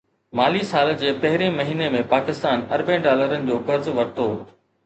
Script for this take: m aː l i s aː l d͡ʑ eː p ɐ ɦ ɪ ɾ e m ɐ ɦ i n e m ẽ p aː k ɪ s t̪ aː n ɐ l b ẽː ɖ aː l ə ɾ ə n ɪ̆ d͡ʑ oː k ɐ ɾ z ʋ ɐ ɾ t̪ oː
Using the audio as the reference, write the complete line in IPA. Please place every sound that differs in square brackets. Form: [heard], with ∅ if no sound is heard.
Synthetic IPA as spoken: m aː l i s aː l d͡ʑ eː p ɐ ɦ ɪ ɾ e m ɐ ɦ [iː] n e m ẽ p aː k ɪ s t̪ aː n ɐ [ɾ] b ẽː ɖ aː l ə ɾ ə n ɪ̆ d͡ʑ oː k ɐ ɾ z ʋ ɐ ɾ t̪ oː